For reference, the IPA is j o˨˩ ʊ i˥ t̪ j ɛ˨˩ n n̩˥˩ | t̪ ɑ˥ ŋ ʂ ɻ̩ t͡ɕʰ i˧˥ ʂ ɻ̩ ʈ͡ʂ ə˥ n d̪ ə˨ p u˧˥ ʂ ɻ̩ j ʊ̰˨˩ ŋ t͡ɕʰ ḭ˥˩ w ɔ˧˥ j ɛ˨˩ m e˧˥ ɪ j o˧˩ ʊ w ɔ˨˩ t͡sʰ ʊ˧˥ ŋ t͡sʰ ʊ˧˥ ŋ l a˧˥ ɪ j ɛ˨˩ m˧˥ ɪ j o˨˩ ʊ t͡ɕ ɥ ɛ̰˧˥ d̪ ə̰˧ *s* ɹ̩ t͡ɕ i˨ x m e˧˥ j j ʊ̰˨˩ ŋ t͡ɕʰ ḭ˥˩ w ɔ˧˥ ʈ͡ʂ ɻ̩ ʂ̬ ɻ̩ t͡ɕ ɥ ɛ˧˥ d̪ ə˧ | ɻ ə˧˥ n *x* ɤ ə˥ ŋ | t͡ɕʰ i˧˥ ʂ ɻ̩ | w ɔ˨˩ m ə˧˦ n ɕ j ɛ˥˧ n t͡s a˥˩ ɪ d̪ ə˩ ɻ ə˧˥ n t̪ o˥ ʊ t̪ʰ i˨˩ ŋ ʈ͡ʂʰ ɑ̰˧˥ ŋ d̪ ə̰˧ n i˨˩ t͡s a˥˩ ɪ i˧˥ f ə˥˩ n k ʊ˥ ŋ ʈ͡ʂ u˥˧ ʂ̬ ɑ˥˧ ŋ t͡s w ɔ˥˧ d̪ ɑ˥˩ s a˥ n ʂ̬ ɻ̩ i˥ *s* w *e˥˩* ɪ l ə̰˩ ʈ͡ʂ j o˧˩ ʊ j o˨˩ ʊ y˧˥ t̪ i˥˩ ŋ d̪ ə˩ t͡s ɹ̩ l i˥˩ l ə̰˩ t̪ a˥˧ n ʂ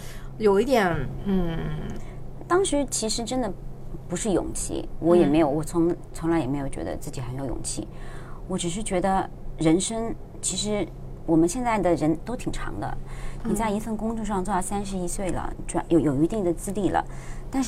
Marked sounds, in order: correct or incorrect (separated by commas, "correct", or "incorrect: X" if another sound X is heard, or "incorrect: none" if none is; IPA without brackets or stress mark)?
incorrect: t͡s, incorrect: ʂ, correct, correct